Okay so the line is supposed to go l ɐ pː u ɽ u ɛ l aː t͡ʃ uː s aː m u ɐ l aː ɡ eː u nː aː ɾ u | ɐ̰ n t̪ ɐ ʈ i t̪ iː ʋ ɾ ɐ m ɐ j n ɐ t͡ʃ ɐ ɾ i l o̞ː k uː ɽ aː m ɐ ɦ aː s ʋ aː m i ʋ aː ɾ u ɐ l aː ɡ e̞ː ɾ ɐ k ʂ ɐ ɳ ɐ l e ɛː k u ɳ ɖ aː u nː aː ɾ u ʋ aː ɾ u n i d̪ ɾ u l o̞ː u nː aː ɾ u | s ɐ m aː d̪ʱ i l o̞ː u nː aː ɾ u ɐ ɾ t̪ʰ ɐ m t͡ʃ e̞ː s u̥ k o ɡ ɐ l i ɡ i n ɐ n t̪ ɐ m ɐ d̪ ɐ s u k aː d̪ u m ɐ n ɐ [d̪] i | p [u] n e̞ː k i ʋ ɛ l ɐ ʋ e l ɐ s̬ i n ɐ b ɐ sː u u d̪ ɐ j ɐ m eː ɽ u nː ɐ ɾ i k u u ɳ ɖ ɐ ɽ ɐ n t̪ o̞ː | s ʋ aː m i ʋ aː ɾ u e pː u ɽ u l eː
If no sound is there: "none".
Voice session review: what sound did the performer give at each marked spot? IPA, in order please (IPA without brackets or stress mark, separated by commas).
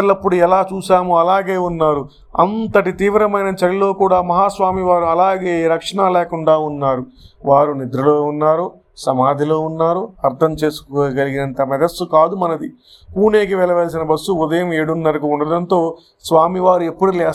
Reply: d̪, uː